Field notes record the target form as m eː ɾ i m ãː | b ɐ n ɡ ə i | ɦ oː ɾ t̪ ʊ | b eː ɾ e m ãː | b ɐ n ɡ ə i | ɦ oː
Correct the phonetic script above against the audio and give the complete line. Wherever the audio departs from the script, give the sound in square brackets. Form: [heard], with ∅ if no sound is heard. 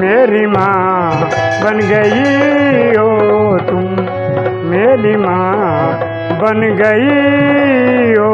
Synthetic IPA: m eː ɾ i m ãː | b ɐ n ɡ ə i | ɦ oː [∅] t̪ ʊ | [m] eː ɾ [i] m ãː | b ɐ n ɡ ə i | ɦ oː

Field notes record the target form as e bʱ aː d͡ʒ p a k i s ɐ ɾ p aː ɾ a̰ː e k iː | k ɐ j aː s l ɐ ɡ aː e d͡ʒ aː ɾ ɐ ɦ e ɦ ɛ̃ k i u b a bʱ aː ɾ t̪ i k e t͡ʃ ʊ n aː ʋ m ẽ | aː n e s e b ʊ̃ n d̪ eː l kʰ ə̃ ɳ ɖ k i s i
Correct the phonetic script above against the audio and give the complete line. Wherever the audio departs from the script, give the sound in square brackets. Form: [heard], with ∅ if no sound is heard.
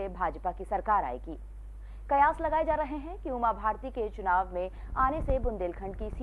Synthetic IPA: e bʱ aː d͡ʒ p a k i s ɐ ɾ [k] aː ɾ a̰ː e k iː | k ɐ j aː s l ɐ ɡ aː e d͡ʒ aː ɾ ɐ ɦ e ɦ ɛ̃ k i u [m] a bʱ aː ɾ t̪ i k e t͡ʃ ʊ n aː ʋ m ẽ | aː n e s e b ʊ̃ n d̪ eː l kʰ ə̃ ɳ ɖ k i s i

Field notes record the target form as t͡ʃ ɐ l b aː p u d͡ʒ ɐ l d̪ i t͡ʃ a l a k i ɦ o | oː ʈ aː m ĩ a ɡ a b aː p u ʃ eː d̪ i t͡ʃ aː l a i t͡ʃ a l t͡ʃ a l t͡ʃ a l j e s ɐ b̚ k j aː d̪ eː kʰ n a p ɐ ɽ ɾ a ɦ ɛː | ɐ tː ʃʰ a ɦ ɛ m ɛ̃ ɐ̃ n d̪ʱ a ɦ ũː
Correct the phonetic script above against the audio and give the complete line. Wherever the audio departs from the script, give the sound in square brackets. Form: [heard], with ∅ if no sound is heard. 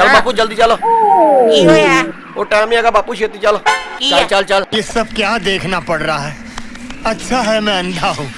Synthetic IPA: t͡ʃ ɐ l b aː p u d͡ʒ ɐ l d̪ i t͡ʃ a l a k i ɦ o | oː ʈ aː m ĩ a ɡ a b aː p u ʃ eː [t̪] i t͡ʃ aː l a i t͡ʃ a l t͡ʃ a l t͡ʃ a l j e s ɐ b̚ k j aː d̪ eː kʰ n a p ɐ ɽ ɾ a ɦ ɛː | ɐ tː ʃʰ a ɦ ɛ m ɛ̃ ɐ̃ n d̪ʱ a ɦ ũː

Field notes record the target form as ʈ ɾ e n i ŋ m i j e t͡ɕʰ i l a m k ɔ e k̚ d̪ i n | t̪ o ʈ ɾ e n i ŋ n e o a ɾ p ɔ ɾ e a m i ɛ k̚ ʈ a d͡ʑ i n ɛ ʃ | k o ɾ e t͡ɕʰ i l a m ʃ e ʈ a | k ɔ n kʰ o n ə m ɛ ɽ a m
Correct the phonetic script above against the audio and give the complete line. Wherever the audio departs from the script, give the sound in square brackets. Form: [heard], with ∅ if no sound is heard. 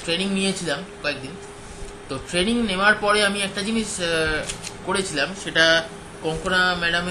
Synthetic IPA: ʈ ɾ e n i ŋ [n] i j e t͡ɕʰ i l a m k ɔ e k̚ d̪ i n | t̪ o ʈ ɾ e n i ŋ n e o a ɾ p ɔ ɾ e a m i ɛ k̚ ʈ a d͡ʑ i n [i] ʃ | k o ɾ e t͡ɕʰ i l a m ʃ e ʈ a | k ɔ [ŋ] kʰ o n [a] m ɛ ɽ a m

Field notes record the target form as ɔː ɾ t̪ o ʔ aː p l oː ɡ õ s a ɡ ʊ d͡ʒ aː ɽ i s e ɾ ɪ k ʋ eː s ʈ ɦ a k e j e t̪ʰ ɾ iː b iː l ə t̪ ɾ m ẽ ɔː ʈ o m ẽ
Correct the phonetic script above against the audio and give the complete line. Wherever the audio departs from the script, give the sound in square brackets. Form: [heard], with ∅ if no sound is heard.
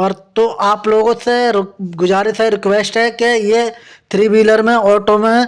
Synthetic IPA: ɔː ɾ t̪ o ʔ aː p l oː ɡ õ s [e] ɡ ʊ d͡ʒ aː [ɾ] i s e ɾ ɪ k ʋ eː s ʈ ɦ [ɛ] k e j e t̪ʰ ɾ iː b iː l ə [∅] ɾ m ẽ ɔː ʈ o m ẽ

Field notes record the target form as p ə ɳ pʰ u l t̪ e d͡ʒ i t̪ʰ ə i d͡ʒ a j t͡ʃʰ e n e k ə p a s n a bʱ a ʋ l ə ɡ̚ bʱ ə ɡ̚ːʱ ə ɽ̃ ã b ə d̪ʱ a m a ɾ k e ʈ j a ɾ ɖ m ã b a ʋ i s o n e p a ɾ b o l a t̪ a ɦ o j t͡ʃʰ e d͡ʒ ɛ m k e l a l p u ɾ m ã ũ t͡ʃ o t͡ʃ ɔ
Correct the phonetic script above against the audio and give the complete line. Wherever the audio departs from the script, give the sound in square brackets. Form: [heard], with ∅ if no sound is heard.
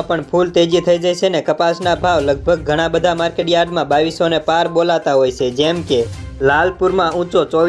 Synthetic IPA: p ə ɳ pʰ u l t̪ e d͡ʒ i t̪ʰ ə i d͡ʒ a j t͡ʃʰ e n e k ə p a s n a bʱ a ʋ l ə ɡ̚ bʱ ə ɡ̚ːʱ ə ɽ̃ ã b ə d̪ʱ a m a ɾ k e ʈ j a ɾ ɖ m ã b a ʋ i s o n e p a ɾ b o l a t̪ a ɦ o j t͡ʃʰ e d͡ʒ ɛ m k e l a l p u ɾ m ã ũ t͡ʃ o t͡ʃ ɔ

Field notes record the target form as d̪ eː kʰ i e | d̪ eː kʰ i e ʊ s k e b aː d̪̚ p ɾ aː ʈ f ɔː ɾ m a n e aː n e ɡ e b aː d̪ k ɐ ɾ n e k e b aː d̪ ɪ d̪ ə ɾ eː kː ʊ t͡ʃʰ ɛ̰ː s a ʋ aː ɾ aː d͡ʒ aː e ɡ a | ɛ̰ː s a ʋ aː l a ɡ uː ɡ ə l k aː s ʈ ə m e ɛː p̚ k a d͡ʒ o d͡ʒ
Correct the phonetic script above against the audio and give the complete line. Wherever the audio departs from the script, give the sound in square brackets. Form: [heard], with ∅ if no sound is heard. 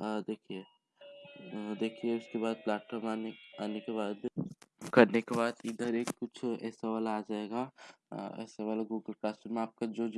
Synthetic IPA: d̪ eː kʰ i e | d̪ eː kʰ i e ʊ s k e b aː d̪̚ p [l] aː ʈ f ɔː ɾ m a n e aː n e [k] e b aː d̪ k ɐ ɾ n e k e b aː d̪ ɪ d̪ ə ɾ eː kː ʊ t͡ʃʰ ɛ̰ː s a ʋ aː [l] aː d͡ʒ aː e ɡ a | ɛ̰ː s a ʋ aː l a ɡ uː ɡ ə l k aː s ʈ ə m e [aː] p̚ k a d͡ʒ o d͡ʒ

